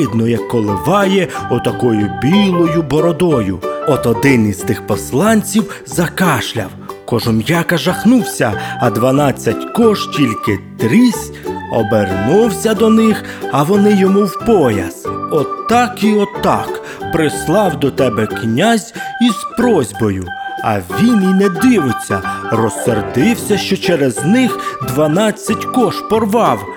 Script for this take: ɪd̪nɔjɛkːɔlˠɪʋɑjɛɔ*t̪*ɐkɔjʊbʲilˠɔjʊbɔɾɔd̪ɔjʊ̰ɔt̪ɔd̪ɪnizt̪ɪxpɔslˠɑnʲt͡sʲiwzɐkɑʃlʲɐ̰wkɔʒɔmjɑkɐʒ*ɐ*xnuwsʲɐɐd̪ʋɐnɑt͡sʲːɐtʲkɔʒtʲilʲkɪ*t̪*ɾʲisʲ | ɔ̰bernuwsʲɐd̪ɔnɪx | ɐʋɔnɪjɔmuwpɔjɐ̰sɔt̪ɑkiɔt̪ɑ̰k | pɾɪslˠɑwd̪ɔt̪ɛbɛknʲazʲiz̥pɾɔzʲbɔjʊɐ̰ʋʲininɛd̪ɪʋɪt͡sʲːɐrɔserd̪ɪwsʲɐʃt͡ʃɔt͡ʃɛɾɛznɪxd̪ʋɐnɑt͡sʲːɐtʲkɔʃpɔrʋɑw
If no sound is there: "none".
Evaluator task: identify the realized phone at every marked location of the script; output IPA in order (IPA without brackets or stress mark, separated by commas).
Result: t̪, ɐ, t̪